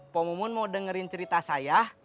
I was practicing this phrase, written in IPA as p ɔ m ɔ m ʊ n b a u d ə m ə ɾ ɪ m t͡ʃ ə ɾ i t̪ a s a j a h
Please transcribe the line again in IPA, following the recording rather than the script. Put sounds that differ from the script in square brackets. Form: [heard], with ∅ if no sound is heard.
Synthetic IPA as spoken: p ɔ m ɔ m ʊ n [m] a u d ə [ŋ] ə ɾ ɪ [n] t͡ʃ ə ɾ i t̪ a s a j a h